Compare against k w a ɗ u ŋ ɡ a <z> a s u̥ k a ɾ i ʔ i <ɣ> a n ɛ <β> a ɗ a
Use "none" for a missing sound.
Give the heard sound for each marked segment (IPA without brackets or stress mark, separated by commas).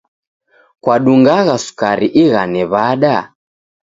ɣ, ɣ, β